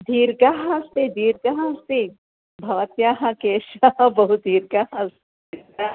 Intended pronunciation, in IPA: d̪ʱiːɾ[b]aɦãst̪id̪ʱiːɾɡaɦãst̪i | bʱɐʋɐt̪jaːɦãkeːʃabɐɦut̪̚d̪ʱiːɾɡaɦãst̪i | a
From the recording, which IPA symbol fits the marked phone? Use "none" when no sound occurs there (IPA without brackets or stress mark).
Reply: ɡ